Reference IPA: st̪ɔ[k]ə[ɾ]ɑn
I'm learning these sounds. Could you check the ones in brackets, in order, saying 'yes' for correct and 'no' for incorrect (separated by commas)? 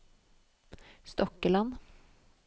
yes, no